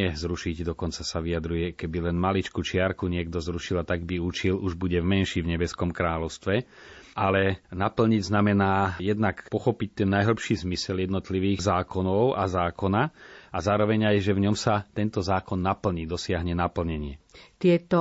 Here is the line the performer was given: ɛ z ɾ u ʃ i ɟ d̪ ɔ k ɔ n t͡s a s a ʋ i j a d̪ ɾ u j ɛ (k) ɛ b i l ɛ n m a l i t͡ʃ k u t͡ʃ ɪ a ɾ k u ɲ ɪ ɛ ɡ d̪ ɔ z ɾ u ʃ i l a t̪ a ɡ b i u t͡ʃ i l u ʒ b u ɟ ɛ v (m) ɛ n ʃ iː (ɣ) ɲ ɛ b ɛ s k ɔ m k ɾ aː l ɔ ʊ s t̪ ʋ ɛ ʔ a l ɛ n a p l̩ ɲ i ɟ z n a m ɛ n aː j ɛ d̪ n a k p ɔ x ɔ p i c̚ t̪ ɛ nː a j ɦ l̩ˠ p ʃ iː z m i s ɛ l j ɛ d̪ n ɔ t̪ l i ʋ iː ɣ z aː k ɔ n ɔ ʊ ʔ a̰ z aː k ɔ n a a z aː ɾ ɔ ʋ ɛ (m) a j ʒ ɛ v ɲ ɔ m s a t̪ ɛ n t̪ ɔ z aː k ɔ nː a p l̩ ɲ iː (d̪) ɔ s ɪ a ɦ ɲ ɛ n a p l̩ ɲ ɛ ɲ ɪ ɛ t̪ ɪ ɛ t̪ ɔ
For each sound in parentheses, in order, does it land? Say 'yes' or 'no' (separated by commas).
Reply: yes, yes, no, no, yes